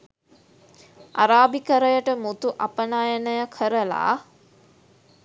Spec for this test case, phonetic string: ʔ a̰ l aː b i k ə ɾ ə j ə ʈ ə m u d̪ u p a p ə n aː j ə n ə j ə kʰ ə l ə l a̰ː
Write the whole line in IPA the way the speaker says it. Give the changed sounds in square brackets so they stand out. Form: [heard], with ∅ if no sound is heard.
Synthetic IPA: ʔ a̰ [ɾ] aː b i k ə ɾ ə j ə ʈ ə m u [t̪] u [ʔ] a p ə n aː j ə n ə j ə kʰ ə [ɾ] ə l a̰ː

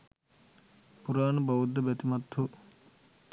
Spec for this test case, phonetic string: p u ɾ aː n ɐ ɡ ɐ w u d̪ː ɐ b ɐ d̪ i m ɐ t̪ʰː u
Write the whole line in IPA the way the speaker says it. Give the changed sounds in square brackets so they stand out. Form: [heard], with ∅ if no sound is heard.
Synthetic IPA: p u ɾ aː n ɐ [b] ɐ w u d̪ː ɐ b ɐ [t̪] i m ɐ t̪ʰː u

